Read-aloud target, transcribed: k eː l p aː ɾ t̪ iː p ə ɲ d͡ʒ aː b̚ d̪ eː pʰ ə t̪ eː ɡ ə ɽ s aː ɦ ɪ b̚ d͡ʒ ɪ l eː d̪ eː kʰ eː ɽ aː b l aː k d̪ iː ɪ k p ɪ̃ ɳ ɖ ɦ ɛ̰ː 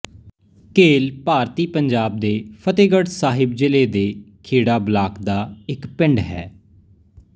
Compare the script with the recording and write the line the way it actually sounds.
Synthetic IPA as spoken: k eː l p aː ɾ t̪ iː p ə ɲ d͡ʒ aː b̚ d̪ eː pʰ ə t̪ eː ɡ ə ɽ s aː ɦ ɪ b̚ d͡ʒ ɪ l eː d̪ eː kʰ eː ɽ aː b l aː k d̪ aː ɪ k p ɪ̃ ɳ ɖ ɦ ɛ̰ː

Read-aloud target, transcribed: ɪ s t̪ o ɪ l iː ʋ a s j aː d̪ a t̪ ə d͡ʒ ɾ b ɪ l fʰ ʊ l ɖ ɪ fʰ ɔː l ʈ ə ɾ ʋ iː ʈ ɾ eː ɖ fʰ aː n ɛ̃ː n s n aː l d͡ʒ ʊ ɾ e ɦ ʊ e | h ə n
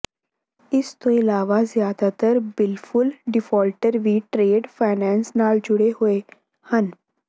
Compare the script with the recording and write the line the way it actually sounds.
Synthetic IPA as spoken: ɪ s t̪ o ɪ l aː ʋ a z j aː d̪ a t̪ ə ɾ b ɪ l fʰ ʊ l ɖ ɪ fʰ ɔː l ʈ ə ɾ ʋ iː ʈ ɾ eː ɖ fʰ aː n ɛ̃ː n s n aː l d͡ʒ ʊ ɽ e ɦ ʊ e | h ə n

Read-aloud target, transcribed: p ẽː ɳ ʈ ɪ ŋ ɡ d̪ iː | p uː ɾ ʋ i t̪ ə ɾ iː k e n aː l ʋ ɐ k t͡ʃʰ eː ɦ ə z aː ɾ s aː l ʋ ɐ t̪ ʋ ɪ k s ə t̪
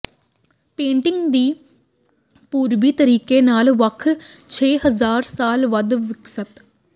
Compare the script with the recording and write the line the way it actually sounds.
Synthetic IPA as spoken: p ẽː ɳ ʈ ɪ ŋ ɡ d̪ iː | p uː ɾ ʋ i t̪ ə ɾ iː k e n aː l ʋ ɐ kʰ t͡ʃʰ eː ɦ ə z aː ɾ s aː l ʋ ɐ d̪ ʋ ɪ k s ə t̪

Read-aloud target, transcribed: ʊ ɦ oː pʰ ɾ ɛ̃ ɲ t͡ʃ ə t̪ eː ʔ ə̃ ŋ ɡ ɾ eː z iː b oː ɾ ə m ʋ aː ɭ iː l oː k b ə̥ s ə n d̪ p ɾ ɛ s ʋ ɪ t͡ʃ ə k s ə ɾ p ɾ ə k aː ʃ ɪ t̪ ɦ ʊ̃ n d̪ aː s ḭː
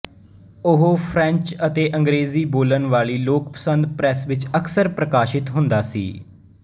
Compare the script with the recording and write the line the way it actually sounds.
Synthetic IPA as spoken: ʊ ɦ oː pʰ ɾ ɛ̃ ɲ t͡ʃ ə t̪ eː ʔ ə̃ ŋ ɡ ɾ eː z iː b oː l ə n ʋ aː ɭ iː l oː k p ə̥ s ə n d̪ p ɾ ɛ s ʋ ɪ t͡ʃ ə k s ə ɾ p ɾ ə k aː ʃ ɪ t̪ ɦ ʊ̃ n d̪ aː s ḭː

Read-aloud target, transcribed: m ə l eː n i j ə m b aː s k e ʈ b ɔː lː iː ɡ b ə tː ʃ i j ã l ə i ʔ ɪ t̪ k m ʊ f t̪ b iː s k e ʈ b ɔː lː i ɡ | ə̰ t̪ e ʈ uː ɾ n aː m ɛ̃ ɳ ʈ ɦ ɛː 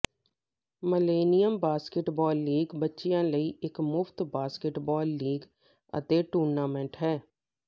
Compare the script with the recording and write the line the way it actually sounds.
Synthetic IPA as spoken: m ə l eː n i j ə m b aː s k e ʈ b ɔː lː iː ɡ b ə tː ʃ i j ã l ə i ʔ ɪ k m ʊ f t̪ b aː s k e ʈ b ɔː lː iː ɡ | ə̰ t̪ e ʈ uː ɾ n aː m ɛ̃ ɳ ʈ ɦ ɛː

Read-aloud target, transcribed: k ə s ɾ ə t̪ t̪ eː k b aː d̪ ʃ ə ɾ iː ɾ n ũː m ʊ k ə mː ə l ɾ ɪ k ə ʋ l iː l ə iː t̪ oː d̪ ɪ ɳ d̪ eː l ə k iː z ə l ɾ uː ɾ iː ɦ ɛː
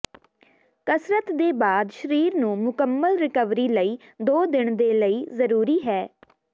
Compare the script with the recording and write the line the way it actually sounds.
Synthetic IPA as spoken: k ə s ɾ ə t̪ d̪ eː b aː d̪ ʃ ə ɾ iː ɾ n ũː m ʊ k ə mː ə l ɾ ɪ k ə ʋ ɾ iː l ə iː d̪ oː d̪ ɪ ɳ d̪ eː l ə iː z ə ɾ uː ɾ iː ɦ ɛː

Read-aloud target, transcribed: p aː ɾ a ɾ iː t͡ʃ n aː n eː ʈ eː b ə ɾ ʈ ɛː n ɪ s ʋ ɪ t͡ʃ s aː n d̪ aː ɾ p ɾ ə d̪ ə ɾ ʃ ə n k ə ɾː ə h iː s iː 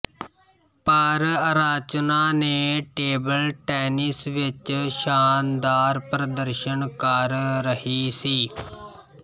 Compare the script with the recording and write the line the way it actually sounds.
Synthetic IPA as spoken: p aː ɾ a ɾ aː t͡ʃ n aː n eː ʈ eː b ə l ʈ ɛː n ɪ s ʋ ɪ t͡ʃ ʃ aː n d̪ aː ɾ p ɾ ə d̪ ə ɾ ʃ ə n k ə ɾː ə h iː s iː

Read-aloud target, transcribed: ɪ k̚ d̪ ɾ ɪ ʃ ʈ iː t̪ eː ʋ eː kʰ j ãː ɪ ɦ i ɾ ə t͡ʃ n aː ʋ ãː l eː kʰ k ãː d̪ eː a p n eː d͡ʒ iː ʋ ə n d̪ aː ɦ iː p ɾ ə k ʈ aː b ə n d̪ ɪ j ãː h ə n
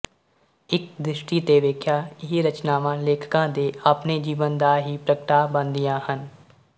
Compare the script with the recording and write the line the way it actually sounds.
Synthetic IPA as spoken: ɪ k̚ d̪ ɾ ɪ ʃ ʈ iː t̪ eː ʋ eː kʰ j aː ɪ ɦ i ɾ ə t͡ʃ n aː ʋ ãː l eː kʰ k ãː d̪ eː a p n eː d͡ʒ iː ʋ ə n d̪ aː ɦ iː p ɾ ə k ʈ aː b ə n d̪ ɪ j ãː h ə n

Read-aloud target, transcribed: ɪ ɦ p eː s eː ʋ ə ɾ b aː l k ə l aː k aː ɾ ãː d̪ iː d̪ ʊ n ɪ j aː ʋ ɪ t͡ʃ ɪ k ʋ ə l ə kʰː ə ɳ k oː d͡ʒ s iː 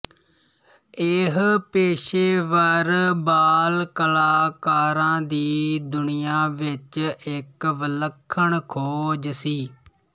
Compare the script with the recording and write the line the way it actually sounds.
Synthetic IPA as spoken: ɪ ɦ p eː ʃ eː ʋ ə ɾ b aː l k ə l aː k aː ɾ ãː d̪ iː d̪ ʊ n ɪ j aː ʋ ɪ t͡ʃ ɪ k ʋ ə l ə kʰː ə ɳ kʰ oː d͡ʒ s iː

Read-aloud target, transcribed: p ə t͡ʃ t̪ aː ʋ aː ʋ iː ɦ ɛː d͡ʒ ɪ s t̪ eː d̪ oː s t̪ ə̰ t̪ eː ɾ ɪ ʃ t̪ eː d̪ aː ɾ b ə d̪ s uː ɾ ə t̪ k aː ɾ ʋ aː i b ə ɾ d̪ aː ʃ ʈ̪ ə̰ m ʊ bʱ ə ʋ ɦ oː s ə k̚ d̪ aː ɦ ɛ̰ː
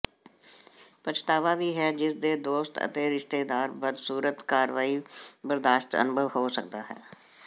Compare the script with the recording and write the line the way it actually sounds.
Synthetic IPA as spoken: p ə t͡ʃ t̪ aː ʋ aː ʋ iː ɦ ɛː d͡ʒ ɪ s d̪ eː d̪ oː s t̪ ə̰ t̪ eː ɾ ɪ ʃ t̪ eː d̪ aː ɾ b ə d̪ s uː ɾ ə t̪ k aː ɾ ʋ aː i b ə ɾ d̪ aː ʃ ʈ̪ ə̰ n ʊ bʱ ə ʋ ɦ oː s ə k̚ d̪ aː ɦ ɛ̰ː

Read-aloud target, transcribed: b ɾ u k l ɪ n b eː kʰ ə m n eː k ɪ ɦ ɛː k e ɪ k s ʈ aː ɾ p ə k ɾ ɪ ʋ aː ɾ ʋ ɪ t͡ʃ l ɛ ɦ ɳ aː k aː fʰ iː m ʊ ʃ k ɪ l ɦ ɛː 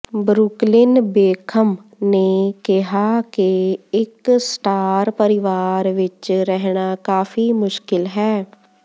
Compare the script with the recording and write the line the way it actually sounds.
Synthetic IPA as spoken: b ɾ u k l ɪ n b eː kʰ ə m n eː k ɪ ɦ aː k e ɪ k s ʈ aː ɾ p ə ɾ ɪ ʋ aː ɾ ʋ ɪ t͡ʃ ɾ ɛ ɦ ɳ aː k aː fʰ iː m ʊ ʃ k ɪ l ɦ ɛː

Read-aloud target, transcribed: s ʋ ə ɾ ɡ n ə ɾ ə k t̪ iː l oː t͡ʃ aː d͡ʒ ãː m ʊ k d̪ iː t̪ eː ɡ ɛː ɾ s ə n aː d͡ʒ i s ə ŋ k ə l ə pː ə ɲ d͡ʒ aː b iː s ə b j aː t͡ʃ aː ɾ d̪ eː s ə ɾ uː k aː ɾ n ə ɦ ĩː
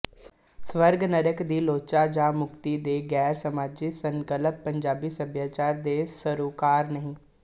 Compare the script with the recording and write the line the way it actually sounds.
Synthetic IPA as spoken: s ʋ ə ɾ ɡ n ə ɾ ə k d̪ iː l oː t͡ʃ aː d͡ʒ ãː m ʊ k t̪ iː d̪ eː ɡ ɛː ɾ s ə m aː d͡ʒ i s ə ŋ k ə l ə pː ə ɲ d͡ʒ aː b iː s ə b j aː t͡ʃ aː ɾ d̪ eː s ə ɾ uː k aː ɾ n ə ɦ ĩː

